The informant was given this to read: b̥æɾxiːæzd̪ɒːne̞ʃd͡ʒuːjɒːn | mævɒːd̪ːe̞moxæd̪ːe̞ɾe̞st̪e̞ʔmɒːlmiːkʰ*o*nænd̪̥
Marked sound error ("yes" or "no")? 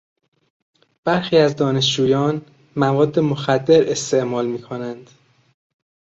no